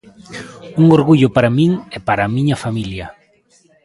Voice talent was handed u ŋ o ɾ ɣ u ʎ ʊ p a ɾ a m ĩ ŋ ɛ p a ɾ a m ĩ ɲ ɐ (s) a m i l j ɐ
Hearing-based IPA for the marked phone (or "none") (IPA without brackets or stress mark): f